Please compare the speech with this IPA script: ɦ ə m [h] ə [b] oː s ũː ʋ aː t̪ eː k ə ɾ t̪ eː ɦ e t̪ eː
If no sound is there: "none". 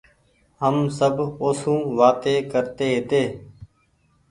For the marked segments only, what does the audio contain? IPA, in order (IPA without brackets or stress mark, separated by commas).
s, b